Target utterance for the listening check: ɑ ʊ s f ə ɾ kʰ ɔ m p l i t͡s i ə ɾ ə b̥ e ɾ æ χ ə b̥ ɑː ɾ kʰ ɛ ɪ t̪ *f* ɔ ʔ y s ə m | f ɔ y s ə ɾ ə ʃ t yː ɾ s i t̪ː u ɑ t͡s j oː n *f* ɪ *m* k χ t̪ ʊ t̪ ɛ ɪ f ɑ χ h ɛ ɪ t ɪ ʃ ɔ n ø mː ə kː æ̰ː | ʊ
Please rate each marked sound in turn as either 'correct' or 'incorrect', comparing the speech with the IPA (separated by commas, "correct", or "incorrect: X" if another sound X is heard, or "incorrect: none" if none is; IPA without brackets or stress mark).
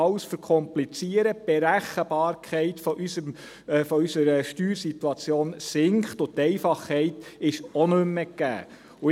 correct, incorrect: s, incorrect: ŋ